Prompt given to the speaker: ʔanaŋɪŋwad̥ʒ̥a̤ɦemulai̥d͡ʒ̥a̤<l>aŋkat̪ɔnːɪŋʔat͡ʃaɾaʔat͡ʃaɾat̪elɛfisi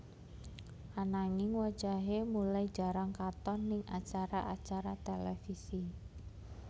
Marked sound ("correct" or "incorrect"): incorrect